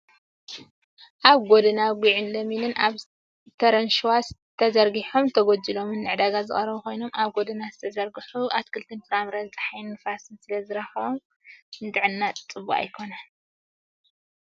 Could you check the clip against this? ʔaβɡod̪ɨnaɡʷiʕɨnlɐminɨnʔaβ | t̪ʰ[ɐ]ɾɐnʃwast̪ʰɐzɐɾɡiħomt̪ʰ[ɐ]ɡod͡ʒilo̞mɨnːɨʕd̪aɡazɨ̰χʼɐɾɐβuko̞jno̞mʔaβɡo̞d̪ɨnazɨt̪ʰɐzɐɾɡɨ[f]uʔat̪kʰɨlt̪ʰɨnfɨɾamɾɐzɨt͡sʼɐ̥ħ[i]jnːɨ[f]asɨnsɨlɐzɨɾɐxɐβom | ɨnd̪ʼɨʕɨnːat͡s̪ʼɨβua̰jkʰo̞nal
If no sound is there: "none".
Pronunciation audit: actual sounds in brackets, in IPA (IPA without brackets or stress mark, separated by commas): ɐ, ɐ, ħ, a, f